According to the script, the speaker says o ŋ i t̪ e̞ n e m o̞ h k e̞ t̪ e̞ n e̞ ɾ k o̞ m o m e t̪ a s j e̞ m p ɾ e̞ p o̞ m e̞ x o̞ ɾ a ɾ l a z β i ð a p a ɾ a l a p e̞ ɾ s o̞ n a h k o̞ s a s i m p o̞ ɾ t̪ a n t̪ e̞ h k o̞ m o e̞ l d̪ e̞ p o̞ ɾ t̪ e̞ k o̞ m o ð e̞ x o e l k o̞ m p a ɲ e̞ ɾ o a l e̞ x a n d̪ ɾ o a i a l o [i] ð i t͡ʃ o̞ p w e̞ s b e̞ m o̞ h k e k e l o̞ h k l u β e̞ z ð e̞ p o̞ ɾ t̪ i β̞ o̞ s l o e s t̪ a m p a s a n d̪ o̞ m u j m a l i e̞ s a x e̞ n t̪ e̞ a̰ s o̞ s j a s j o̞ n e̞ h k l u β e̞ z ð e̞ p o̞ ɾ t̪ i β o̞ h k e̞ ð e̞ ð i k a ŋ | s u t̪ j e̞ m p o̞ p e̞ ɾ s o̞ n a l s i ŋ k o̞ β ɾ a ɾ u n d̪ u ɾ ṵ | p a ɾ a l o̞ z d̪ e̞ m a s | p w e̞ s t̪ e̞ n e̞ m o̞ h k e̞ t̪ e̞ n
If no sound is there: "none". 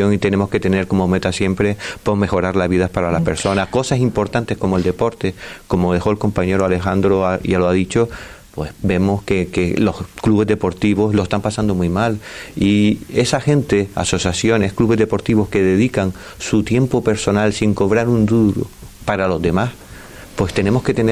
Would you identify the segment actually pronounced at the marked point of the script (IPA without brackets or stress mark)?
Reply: a